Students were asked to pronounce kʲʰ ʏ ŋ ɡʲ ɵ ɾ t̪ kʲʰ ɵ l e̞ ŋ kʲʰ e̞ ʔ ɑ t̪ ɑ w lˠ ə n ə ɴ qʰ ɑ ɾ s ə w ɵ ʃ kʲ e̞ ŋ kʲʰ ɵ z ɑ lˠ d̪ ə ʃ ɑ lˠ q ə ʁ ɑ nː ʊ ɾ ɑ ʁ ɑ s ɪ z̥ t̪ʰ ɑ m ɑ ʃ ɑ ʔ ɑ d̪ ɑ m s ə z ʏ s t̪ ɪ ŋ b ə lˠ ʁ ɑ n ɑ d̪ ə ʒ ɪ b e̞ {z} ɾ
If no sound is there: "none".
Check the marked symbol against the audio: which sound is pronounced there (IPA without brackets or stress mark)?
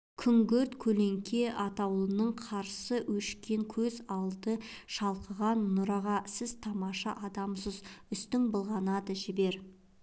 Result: none